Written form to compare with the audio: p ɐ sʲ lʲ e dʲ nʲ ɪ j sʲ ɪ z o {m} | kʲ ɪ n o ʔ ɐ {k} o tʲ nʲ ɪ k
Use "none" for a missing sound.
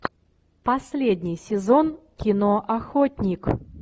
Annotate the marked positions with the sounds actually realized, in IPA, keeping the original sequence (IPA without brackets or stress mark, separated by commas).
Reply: n, x